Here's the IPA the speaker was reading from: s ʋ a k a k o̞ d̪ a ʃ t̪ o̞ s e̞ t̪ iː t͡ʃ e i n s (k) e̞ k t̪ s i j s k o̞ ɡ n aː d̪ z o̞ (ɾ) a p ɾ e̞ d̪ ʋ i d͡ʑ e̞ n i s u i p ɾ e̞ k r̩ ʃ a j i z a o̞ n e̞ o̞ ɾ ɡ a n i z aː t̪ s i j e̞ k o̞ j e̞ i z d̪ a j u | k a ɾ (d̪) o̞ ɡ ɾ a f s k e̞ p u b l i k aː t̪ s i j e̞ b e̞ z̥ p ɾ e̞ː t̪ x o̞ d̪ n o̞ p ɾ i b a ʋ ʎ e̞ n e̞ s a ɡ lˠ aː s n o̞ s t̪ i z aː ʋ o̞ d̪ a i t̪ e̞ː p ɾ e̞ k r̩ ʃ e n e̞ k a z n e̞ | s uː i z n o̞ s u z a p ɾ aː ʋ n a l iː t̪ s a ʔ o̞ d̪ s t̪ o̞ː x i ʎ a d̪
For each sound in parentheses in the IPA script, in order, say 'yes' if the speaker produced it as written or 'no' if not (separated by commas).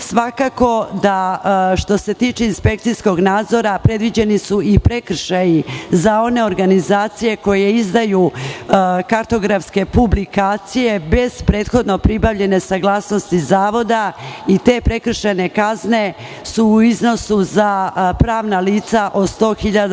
no, yes, no